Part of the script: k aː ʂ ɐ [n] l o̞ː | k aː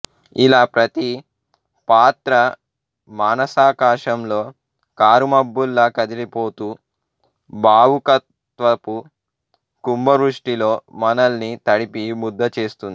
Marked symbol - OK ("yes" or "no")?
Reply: no